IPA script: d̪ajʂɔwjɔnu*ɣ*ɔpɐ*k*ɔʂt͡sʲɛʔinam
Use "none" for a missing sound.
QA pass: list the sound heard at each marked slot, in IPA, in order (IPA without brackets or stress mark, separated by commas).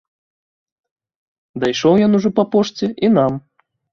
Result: ʐ, p